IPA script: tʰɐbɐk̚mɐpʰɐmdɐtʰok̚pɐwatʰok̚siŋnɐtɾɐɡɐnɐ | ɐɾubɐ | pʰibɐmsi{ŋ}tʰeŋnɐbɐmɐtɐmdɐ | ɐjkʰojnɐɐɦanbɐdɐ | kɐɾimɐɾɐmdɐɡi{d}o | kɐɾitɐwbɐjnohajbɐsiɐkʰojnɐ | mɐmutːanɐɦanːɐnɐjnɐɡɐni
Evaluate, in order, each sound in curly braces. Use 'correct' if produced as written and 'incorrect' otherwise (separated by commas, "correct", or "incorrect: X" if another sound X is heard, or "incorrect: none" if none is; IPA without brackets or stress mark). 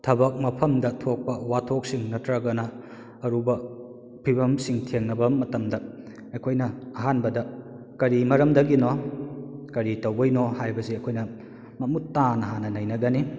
correct, incorrect: n